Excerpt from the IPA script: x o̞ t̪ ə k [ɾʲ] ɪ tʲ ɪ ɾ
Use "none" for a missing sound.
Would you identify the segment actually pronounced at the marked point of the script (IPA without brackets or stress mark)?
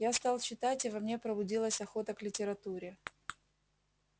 lʲ